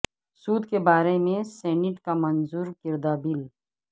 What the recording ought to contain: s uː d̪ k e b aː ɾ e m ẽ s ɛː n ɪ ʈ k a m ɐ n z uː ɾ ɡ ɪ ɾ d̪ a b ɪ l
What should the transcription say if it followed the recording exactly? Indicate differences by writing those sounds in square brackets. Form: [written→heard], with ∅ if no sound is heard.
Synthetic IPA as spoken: s uː d̪ k e b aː ɾ e m ẽ s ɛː n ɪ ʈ k a m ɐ n z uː ɾ [ɡ→k] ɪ ɾ d̪ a b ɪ l